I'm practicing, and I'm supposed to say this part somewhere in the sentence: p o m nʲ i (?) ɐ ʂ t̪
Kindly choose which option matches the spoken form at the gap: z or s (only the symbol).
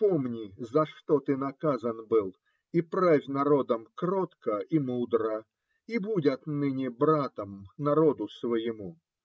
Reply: z